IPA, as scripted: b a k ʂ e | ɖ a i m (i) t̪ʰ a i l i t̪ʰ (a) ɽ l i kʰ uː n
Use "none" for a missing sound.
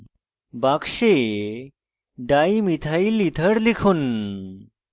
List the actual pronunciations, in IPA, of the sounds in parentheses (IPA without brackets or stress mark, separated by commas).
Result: i, ə